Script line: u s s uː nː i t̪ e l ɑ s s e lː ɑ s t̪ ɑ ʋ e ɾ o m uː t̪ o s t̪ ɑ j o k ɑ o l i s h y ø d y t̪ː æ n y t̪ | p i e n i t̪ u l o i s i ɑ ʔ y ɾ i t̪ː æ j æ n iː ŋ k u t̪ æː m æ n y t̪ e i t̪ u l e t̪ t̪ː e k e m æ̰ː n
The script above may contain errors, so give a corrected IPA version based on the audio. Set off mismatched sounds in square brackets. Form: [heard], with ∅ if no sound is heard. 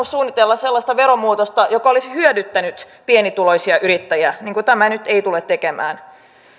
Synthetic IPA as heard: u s s uː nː i t̪ e [lː] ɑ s s e lː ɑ s t̪ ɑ ʋ e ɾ o m uː t̪ o s t̪ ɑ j o k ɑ o l i s h y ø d y t̪ː æ n y t̪ | p i e n i t̪ u l o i s i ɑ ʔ y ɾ i t̪ː æ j æ n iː ŋ k u t̪ [æ] m æ n y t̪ e i t̪ u l e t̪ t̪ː e k e m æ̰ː n

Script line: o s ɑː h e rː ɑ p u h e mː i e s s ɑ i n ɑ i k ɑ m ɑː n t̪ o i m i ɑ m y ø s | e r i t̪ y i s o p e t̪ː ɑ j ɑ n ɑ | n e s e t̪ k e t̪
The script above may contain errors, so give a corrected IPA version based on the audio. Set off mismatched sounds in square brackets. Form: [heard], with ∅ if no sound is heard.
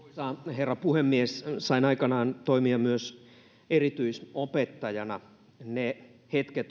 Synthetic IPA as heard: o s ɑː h e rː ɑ p u h e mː i e s s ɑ i n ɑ i k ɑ [n] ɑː n t̪ o i m i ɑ m y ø s | e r i t̪ y i s o p e t̪ː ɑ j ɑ n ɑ | n e [h] e t̪ k e t̪

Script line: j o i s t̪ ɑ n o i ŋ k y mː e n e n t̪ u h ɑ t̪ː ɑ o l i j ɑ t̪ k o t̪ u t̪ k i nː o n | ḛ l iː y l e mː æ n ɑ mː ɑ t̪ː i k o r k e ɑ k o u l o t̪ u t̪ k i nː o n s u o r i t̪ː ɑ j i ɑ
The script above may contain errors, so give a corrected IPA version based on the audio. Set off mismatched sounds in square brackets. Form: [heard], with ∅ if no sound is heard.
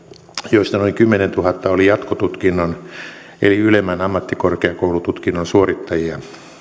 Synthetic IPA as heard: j o i s t̪ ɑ n o i ŋ k y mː e n e n t̪ u h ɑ t̪ː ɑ o l i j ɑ t̪ k o t̪ u t̪ k i nː o n | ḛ l [i] y l e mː æ n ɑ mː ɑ t̪ː i k o r k e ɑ k o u l [u] t̪ u t̪ k i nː o n s u o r i t̪ː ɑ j i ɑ

